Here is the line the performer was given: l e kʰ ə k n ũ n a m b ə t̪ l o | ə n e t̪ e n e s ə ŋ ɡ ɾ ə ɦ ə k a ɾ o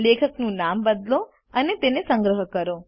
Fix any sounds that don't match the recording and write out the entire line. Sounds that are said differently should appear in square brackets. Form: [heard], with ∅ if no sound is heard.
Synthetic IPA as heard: l e kʰ ə k n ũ n a m b ə [d̪] l o | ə n e t̪ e n e s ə ŋ ɡ ɾ ə ɦ ə k [ə] ɾ o